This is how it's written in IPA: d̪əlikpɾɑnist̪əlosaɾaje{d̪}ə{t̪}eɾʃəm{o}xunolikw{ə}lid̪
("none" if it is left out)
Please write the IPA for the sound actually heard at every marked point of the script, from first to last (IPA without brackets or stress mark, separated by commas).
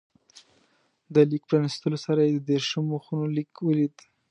d̪, d̪, o, ə